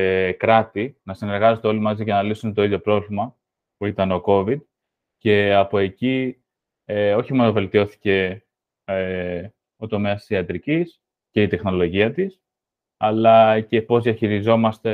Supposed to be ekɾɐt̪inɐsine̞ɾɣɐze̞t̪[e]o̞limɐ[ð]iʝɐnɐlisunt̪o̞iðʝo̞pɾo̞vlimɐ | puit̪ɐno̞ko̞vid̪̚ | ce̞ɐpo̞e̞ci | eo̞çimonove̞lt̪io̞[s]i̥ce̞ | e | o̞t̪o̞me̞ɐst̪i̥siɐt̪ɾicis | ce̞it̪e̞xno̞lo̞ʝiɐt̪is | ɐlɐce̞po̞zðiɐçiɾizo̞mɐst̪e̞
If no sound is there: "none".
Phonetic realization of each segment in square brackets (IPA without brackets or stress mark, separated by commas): e, z, θ